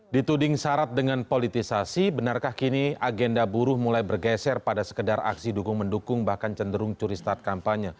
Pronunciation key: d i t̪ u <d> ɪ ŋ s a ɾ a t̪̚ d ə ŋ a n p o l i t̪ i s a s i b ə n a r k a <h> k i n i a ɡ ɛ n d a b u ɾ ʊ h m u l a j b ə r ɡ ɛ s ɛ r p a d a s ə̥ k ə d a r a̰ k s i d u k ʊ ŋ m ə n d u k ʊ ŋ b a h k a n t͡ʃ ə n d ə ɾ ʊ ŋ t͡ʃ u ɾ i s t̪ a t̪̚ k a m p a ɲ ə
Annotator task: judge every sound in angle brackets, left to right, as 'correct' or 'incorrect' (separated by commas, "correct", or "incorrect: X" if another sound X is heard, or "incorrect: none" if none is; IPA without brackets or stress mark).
correct, correct